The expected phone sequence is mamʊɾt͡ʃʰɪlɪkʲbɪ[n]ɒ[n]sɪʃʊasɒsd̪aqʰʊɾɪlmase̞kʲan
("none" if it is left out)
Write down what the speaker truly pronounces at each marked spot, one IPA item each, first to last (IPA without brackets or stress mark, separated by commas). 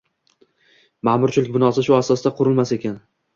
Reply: n, none